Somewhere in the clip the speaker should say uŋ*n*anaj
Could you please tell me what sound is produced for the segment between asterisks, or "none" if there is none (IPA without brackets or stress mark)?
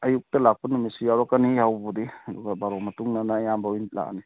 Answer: n